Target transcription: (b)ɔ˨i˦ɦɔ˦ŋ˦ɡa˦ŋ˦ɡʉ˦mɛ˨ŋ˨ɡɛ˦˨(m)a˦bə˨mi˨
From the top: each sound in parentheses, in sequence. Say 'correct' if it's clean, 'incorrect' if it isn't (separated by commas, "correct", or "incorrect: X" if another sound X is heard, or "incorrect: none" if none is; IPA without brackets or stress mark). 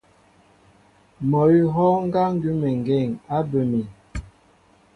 incorrect: m, incorrect: ŋ